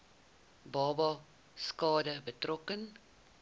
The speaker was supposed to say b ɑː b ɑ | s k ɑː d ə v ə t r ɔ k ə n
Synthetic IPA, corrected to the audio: b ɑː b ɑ | s k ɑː d ə b ə t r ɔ k ə n